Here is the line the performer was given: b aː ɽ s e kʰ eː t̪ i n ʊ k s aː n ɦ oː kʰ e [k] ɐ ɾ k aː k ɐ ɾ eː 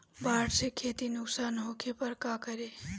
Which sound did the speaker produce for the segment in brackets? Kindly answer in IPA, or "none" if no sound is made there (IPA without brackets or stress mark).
p